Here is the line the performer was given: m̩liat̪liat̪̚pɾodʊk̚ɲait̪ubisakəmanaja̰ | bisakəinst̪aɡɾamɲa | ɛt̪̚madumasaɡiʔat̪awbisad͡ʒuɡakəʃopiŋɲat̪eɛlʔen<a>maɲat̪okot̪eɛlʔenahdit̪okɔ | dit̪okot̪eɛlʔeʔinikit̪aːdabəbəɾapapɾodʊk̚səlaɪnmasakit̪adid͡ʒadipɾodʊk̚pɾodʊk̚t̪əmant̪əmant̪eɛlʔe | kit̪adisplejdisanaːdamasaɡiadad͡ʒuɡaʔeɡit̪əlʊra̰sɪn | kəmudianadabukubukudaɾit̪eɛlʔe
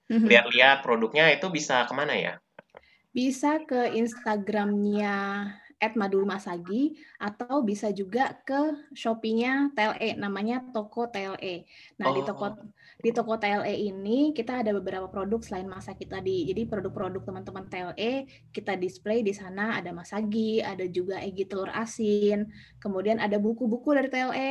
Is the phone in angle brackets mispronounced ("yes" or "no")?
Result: no